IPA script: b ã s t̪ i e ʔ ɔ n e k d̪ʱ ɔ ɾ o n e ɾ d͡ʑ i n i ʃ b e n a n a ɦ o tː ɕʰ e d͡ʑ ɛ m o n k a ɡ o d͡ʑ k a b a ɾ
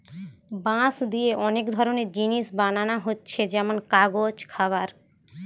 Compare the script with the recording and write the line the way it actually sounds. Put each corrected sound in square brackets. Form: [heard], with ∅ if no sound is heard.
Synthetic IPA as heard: b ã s [d̪] i e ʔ ɔ n e k d̪ʱ ɔ ɾ o n e ɾ d͡ʑ i n i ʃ b [a] n a n a ɦ o tː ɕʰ e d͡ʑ ɛ m o n k a ɡ o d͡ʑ [kʰ] a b a ɾ

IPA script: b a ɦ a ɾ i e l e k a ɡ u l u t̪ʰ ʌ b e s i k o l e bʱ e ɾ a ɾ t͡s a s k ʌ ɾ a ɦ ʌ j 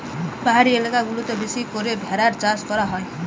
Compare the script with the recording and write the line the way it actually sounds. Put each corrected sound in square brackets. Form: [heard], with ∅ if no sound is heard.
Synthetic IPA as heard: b a ɦ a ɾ i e l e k a ɡ u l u [t̪] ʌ b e s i k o [ɾ] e bʱ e ɾ a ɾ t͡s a s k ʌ ɾ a ɦ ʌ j

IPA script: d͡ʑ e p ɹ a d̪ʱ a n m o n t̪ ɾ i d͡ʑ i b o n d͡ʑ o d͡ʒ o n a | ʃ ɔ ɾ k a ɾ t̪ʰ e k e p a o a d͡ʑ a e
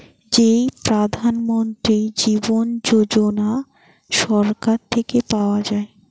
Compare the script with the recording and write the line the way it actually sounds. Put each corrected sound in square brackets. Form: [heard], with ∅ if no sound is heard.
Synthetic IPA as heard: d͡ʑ e p [ɾ] a d̪ʱ a n m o n t̪ ɾ i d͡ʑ i b o n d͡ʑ o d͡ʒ o n a | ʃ ɔ ɾ k a ɾ t̪ʰ e k e p a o a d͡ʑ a e

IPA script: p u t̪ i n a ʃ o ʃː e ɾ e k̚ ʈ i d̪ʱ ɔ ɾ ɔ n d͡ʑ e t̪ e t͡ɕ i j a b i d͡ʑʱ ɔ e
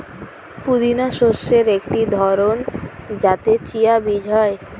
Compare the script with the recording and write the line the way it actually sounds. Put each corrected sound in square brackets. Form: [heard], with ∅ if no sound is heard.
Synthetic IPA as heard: p u [d̪] i n a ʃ o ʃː e ɾ e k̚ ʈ i d̪ʱ ɔ ɾ [o] n d͡ʑ [a] t̪ e t͡ɕ i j a b i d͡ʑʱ ɔ e

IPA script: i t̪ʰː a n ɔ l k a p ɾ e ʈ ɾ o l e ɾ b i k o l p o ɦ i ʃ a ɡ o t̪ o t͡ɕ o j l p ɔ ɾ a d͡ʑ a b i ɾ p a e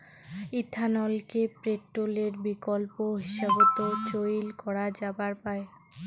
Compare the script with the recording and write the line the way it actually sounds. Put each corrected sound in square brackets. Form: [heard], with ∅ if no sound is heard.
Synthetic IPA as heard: i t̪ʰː a n ɔ l k [e] p ɾ e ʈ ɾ o l e ɾ b i k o l p o ɦ i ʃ a [b] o t̪ o t͡ɕ o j l [k] ɔ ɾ a d͡ʑ a b [a] ɾ p a e

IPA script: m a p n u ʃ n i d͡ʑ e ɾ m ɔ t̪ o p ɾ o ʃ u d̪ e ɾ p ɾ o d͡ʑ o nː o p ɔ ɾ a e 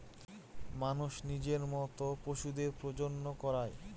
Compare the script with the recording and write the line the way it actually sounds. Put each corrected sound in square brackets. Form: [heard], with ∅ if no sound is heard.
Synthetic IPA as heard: m a [∅] n u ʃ n i d͡ʑ e ɾ m ɔ t̪ o p ɾ o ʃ u d̪ e ɾ p ɾ o d͡ʑ o nː o [k] ɔ ɾ a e

